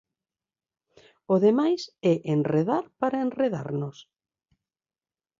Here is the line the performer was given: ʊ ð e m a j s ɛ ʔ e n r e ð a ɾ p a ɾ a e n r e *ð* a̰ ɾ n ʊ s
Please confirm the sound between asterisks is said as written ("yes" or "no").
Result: yes